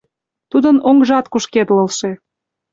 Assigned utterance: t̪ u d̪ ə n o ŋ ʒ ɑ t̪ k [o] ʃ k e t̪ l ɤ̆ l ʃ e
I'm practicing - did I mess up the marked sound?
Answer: yes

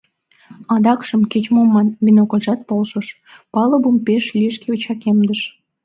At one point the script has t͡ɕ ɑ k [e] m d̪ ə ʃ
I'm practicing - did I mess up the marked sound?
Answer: no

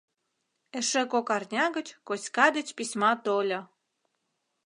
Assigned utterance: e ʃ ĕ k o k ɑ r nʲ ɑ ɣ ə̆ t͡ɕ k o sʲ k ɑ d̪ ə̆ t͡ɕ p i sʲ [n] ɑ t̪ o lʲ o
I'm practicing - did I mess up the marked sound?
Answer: yes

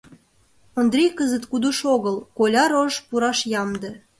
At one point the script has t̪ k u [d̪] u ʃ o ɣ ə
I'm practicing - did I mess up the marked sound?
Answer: no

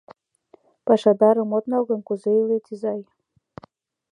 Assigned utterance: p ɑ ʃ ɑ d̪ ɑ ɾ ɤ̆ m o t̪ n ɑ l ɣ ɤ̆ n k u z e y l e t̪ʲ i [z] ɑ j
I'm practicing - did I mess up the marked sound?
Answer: no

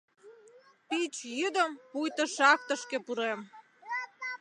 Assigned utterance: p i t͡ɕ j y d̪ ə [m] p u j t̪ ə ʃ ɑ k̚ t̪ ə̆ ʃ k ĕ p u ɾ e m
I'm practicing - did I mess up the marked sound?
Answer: no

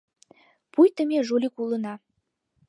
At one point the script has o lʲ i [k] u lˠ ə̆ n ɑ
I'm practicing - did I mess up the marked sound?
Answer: no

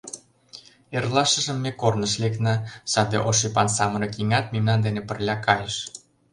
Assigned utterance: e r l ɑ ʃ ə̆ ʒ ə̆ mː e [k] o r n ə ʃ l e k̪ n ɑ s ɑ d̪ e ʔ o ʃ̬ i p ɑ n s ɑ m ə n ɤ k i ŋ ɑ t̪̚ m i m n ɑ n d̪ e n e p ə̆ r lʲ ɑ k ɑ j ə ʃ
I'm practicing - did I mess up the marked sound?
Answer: no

